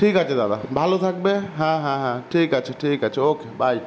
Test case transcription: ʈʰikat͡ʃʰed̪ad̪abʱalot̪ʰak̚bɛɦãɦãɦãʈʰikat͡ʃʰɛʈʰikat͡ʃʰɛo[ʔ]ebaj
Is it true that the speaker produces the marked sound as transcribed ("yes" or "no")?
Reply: no